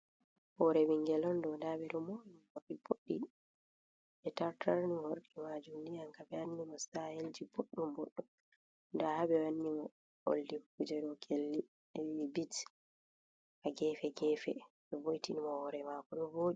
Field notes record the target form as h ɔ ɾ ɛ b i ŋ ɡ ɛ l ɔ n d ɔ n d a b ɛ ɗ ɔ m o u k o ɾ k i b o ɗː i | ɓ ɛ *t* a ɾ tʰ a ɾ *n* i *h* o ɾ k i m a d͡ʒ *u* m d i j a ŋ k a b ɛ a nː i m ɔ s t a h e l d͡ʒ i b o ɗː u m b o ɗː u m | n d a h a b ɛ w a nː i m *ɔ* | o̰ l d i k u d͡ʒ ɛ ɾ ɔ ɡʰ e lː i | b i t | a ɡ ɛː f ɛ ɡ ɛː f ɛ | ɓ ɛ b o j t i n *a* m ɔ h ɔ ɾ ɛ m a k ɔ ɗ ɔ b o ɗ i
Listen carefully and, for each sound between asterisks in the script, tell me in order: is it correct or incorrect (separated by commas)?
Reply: correct, correct, correct, correct, correct, incorrect